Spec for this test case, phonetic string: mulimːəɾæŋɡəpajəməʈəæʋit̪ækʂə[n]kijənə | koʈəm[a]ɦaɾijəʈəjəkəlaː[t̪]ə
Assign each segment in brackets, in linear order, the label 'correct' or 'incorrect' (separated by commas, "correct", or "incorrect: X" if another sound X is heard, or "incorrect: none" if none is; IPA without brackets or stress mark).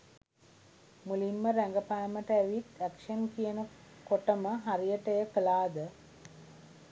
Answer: correct, incorrect: ə, incorrect: d̪